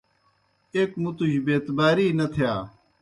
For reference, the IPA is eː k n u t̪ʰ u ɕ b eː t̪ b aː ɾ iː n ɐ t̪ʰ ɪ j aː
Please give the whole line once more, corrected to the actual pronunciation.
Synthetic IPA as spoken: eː k m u t̪ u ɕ b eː t̪ b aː ɾ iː n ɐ t̪ʰ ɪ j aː